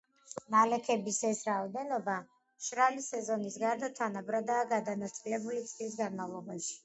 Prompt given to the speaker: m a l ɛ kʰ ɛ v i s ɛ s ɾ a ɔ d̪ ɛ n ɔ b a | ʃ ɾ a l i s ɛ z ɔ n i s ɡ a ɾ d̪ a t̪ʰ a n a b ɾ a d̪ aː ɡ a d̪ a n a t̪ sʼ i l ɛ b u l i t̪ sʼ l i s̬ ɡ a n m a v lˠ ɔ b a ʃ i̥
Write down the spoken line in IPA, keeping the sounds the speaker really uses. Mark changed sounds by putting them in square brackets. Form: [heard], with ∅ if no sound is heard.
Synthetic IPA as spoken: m a l ɛ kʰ ɛ [b] i s ɛ s ɾ a ɔ d̪ ɛ n ɔ b a | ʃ ɾ a l i s ɛ z ɔ n i s ɡ a ɾ d̪ a t̪ʰ a n a b ɾ a d̪ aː ɡ a d̪ a n a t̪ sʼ i l ɛ b u l i t̪ sʼ l i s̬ ɡ a n m a v lˠ ɔ b a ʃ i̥